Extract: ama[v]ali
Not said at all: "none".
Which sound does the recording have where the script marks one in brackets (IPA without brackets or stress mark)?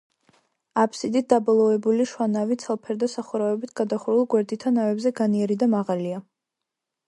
ʁ